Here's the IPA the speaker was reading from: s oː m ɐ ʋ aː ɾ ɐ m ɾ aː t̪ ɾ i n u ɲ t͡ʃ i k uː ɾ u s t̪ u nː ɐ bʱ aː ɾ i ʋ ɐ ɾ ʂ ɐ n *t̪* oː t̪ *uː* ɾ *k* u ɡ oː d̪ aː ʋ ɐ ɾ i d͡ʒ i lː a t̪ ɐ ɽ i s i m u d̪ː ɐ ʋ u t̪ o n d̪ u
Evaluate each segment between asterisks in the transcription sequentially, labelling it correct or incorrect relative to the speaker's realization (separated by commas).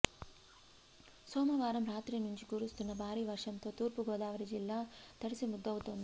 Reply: correct, correct, incorrect